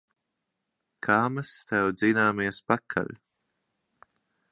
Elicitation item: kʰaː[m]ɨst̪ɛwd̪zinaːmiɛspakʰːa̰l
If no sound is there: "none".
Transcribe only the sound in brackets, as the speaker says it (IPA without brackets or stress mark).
m